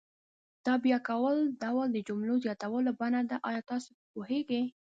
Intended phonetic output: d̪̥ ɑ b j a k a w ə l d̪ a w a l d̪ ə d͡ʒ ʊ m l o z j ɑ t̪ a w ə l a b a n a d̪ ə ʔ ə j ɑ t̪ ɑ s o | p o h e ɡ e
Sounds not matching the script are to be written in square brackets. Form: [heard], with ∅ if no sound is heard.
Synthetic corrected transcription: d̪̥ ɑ b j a k a w ə l d̪ a w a l d̪ ə d͡ʒ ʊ m l o z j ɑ t̪ a w ə l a b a n a d̪ [a] ʔ [ɑ] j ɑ t̪ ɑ s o | p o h e ɡ e